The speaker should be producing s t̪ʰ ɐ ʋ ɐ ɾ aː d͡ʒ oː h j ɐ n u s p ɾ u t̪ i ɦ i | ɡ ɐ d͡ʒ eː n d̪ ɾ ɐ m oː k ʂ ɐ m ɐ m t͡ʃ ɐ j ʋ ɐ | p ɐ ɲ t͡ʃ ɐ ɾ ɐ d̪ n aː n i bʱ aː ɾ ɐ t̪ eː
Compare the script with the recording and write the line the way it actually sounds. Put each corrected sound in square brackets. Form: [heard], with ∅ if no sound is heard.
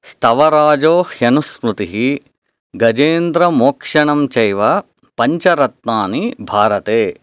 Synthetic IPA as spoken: s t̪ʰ ɐ ʋ ɐ ɾ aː d͡ʒ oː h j ɐ n u s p ɾ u t̪ i ɦ i | ɡ ɐ d͡ʒ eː n d̪ ɾ ɐ m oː k ʂ ɐ [ɳ] ɐ m t͡ʃ ɐ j ʋ ɐ | p ɐ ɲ t͡ʃ ɐ ɾ ɐ [t̪] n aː n i bʱ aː ɾ ɐ t̪ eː